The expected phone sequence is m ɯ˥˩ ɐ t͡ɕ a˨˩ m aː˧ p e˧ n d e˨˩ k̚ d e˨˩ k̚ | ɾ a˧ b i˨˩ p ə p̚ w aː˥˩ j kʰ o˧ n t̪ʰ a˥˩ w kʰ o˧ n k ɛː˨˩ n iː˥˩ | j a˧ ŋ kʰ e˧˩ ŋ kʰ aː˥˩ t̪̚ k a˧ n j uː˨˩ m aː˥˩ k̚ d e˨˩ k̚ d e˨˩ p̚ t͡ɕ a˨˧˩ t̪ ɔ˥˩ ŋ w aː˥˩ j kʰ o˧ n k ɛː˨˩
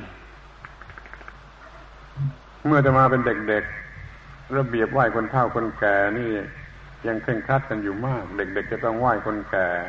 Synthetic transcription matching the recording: m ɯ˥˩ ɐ t͡ɕ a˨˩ m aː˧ p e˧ n d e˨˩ k̚ d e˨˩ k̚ | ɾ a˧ b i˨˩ ə p̚ w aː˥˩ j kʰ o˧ n t̪ʰ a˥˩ w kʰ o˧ n k ɛː˨˩ n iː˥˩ | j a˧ ŋ kʰ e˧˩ ŋ kʰ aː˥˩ t̪̚ k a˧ n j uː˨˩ m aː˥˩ k̚ d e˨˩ k̚ d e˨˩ k̚ t͡ɕ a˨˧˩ t̪ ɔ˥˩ ŋ w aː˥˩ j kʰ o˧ n k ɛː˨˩